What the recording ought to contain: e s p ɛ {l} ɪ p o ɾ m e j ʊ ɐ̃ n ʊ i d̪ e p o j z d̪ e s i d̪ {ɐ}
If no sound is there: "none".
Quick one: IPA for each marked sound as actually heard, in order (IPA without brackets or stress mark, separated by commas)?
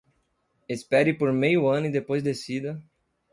ɾ, ɐ